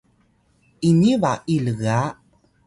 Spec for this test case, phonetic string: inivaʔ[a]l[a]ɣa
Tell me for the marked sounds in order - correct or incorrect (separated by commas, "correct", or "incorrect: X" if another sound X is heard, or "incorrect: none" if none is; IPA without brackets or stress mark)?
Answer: incorrect: i, incorrect: ə